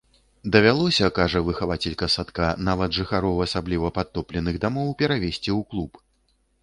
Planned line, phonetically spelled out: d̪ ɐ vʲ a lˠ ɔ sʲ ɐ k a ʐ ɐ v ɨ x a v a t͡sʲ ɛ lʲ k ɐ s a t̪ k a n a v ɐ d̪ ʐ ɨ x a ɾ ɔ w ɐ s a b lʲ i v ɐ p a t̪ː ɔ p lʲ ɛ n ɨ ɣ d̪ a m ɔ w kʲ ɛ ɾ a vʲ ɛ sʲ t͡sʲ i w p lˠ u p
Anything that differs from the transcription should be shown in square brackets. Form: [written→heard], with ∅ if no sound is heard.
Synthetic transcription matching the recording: d̪ ɐ vʲ a lˠ ɔ sʲ ɐ k a ʐ ɐ v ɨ x a v a t͡sʲ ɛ lʲ k ɐ s a t̪ k a n a v ɐ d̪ ʐ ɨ x a ɾ ɔ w ɐ s a b lʲ i v ɐ p a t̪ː ɔ p lʲ ɛ n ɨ ɣ d̪ a m ɔ w [kʲ→pʲ] ɛ ɾ a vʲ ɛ sʲ t͡sʲ i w [p→k] lˠ u p